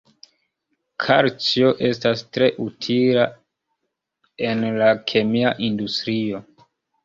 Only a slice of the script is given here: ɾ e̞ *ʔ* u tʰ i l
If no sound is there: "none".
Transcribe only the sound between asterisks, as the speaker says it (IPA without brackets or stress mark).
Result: ʔ